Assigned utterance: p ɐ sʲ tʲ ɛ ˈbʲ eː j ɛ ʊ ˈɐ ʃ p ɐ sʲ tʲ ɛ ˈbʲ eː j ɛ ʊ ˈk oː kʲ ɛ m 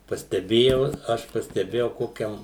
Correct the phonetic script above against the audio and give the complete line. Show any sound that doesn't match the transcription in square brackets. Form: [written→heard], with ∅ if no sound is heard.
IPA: p ɐ sʲ tʲ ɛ ˈbʲ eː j ɛ ʊ ˈɐ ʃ p ɐ sʲ tʲ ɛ ˈbʲ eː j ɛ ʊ ˈk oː kʲ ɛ m

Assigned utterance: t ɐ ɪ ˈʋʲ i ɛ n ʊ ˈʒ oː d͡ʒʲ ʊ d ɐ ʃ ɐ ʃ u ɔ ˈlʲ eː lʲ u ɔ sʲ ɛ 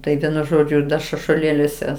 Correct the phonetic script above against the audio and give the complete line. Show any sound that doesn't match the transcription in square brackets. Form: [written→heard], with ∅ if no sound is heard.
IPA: t ɐ ɪ ˈʋʲ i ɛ n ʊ ˈʒ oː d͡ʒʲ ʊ d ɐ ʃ ɐ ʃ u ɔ ˈlʲ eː lʲ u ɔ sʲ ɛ

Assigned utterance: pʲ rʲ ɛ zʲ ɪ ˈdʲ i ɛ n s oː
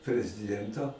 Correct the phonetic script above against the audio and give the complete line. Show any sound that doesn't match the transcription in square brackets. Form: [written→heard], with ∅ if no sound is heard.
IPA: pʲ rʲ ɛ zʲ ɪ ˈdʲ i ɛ n [s→t] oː

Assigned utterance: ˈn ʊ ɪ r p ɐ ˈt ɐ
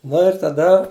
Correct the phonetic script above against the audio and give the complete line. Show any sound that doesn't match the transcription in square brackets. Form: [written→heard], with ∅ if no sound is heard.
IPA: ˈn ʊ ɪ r [p→t] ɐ [ˈt→ˈd] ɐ

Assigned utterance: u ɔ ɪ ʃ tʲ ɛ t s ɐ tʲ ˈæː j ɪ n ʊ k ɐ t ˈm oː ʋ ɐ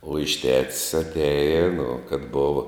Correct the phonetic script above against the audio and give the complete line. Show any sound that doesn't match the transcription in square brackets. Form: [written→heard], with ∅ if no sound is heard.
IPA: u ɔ ɪ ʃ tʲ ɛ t s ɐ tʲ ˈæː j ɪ n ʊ k ɐ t [ˈm→ˈb] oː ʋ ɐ

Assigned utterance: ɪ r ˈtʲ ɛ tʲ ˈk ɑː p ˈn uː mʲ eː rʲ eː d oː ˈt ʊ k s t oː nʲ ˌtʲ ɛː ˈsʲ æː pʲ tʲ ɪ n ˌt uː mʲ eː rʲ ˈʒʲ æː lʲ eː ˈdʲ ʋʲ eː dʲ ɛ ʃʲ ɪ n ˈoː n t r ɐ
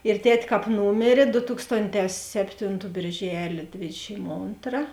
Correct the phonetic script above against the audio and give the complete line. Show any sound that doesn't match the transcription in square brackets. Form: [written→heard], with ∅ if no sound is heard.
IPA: ɪ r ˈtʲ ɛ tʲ ˈk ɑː p ˈn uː mʲ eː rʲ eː d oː ˈt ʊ k s t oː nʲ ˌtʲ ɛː ˈsʲ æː pʲ tʲ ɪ n ˌt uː [mʲ→bʲ] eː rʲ ˈʒʲ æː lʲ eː ˈdʲ ʋʲ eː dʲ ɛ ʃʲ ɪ [n→m] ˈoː n t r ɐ

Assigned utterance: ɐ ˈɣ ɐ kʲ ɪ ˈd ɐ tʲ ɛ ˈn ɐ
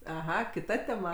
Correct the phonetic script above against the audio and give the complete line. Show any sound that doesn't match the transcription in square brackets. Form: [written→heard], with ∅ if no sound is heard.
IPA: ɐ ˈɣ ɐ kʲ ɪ [ˈd→ˈt] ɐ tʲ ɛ [ˈn→ˈm] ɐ

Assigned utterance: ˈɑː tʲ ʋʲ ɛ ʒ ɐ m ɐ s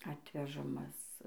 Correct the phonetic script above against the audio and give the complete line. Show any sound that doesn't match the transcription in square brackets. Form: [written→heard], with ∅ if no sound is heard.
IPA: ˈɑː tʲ ʋʲ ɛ ʒ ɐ m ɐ s

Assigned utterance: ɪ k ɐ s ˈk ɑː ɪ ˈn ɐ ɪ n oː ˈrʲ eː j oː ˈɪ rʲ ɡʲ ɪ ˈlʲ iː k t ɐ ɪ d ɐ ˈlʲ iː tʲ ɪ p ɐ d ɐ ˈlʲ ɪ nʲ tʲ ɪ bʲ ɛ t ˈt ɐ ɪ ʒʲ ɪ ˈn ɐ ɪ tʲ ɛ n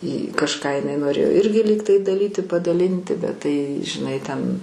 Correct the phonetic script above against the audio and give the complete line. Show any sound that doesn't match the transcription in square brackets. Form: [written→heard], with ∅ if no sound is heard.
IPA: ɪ k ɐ [s→ʃ] ˈk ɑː ɪ ˈn ɐ ɪ n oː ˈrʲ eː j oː ˈɪ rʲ ɡʲ ɪ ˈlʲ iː k t ɐ ɪ d ɐ ˈlʲ iː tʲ ɪ p ɐ d ɐ ˈlʲ ɪ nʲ tʲ ɪ bʲ ɛ t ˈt ɐ ɪ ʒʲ ɪ ˈn ɐ ɪ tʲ ɛ n

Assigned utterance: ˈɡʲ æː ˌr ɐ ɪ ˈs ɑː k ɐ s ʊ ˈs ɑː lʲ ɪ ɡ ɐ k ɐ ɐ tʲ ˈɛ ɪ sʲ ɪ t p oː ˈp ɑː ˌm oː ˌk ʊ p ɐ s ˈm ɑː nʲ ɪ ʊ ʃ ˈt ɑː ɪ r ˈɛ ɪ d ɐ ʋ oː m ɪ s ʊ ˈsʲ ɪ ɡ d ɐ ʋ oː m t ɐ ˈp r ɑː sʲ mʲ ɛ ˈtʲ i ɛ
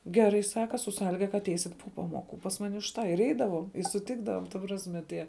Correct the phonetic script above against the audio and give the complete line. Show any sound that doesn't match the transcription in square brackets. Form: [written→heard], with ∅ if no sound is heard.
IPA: ˈɡʲ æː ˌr ɐ ɪ ˈs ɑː k ɐ s ʊ ˈs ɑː lʲ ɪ ɡ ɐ k ɐ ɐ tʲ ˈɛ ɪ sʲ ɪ t p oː ˈp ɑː ˌm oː ˌk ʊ p ɐ s ˈm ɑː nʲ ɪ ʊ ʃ ˈt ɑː ɪ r ˈɛ ɪ d ɐ ʋ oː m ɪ s ʊ [ˈsʲ→ˈtʲ] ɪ ɡ d ɐ ʋ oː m t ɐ ˈp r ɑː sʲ mʲ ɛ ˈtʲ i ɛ

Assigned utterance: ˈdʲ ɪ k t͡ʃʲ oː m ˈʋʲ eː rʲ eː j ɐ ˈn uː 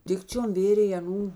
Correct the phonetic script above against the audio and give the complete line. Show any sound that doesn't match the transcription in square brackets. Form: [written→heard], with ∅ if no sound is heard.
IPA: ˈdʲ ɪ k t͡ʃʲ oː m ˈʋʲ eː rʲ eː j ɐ ˈn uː

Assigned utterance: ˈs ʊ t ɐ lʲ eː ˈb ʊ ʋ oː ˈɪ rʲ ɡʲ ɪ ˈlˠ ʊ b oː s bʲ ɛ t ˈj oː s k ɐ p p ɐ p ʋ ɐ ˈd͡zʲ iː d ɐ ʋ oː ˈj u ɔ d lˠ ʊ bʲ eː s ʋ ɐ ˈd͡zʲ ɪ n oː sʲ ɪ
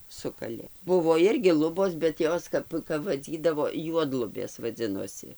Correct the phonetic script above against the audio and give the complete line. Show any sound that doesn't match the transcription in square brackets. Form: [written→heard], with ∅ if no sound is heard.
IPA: ˈs ʊ [t→k] ɐ lʲ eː ˈb ʊ ʋ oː ˈɪ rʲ ɡʲ ɪ ˈlˠ ʊ b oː s bʲ ɛ t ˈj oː s k ɐ p [p→k] ɐ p ʋ ɐ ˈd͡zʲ iː d ɐ ʋ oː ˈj u ɔ d lˠ ʊ bʲ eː s ʋ ɐ ˈd͡zʲ ɪ n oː sʲ ɪ

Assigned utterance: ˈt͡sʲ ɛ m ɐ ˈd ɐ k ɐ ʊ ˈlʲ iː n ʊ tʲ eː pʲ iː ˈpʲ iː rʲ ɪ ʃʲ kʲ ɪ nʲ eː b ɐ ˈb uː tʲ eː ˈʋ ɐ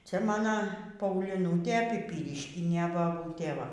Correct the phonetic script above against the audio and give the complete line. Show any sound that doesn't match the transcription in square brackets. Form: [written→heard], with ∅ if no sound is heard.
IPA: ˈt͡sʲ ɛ m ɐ [ˈd→ˈn] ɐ [k→p] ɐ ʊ ˈlʲ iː n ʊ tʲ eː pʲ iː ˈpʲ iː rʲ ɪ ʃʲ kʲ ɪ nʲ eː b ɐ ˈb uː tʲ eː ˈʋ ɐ

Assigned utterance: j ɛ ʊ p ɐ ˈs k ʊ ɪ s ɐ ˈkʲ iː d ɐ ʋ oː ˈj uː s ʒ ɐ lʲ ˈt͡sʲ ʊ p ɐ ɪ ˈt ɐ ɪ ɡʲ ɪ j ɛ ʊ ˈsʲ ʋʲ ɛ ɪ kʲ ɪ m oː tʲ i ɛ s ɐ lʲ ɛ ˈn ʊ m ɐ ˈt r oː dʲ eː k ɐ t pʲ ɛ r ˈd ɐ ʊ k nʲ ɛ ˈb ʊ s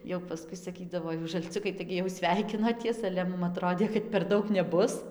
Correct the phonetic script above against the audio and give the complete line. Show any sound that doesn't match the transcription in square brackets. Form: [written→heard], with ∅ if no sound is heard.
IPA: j ɛ ʊ p ɐ ˈs k ʊ ɪ s ɐ ˈkʲ iː d ɐ ʋ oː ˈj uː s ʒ ɐ lʲ ˈt͡sʲ ʊ [p→k] ɐ ɪ ˈt ɐ ɪ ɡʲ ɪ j ɛ ʊ ˈsʲ ʋʲ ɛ ɪ kʲ ɪ [m→n] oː tʲ i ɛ s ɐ lʲ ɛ [ˈn→ˈm] ʊ m ɐ ˈt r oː dʲ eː k ɐ t pʲ ɛ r ˈd ɐ ʊ k nʲ ɛ ˈb ʊ s

